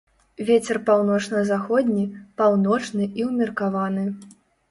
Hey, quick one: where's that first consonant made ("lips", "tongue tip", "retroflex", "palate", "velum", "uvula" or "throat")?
lips